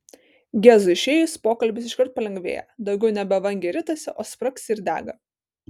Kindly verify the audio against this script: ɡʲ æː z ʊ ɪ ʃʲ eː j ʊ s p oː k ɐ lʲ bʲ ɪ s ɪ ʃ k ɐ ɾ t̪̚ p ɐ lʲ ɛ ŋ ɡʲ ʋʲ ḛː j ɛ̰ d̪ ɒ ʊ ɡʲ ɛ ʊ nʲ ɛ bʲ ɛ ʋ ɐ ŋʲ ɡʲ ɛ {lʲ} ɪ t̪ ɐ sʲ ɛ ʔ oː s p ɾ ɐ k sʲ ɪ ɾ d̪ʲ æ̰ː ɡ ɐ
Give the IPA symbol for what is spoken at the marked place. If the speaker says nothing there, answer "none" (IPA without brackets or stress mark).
ɾʲ